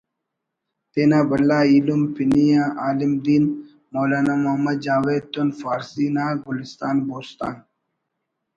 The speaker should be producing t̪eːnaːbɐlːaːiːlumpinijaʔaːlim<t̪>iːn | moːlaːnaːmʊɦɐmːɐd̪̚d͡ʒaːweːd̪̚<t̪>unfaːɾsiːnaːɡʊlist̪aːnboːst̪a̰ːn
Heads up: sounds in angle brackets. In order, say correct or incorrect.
incorrect, correct

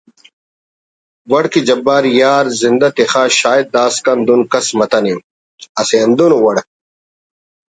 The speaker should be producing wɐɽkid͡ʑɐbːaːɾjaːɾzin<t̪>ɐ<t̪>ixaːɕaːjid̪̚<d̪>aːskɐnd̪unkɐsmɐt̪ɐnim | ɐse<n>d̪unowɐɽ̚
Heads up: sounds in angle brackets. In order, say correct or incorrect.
incorrect, correct, correct, correct

